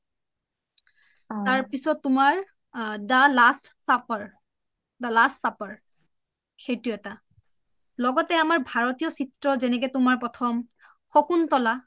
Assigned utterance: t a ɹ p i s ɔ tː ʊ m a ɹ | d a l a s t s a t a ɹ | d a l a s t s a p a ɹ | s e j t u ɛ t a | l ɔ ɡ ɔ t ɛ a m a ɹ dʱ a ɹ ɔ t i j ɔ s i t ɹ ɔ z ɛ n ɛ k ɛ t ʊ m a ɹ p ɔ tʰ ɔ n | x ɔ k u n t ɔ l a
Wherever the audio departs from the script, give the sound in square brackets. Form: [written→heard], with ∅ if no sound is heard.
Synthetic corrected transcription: t a ɹ p i s ɔ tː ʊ m a ɹ | d a l a s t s a [t→p] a ɹ | d a l a s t s a p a ɹ | [s→x] e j t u ɛ t a | l ɔ ɡ ɔ t ɛ a m a ɹ [dʱ→bʱ] a ɹ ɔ t i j ɔ s i t ɹ ɔ z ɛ n ɛ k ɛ t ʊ m a ɹ p ɔ tʰ ɔ [n→m] | x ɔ k u n t ɔ l a

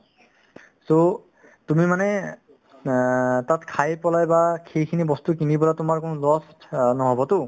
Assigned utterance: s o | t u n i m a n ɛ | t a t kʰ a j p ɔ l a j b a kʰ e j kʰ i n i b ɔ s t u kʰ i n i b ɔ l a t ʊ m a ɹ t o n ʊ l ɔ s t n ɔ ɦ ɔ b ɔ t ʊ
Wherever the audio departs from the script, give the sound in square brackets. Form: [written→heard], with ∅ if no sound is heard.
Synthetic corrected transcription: s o | t u [n→m] i m a n ɛ | t a t kʰ a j p ɔ l a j b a kʰ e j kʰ i n i b ɔ s t u [kʰ→k] i n i b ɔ l a t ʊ m a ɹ [t→k] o n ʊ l ɔ s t n ɔ ɦ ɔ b ɔ t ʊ

